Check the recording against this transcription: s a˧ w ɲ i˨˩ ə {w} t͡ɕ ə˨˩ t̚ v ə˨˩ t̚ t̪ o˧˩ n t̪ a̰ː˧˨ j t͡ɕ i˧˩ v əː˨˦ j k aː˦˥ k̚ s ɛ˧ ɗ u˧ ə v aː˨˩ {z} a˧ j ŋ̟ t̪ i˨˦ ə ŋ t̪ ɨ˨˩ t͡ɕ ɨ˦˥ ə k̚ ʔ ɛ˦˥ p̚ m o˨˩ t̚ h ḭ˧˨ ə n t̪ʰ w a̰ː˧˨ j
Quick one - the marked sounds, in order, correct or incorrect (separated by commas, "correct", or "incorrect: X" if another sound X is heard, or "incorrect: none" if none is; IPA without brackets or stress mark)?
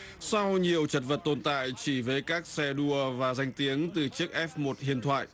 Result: correct, correct